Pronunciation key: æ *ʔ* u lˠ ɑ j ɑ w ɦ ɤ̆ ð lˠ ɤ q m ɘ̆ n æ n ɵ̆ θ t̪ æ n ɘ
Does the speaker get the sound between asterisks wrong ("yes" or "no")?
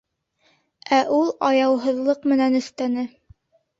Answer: no